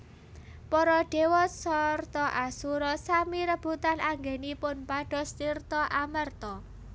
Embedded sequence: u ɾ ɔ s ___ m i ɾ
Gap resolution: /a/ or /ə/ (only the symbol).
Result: a